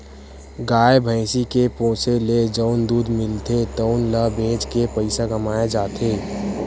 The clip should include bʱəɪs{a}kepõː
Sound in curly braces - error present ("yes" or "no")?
yes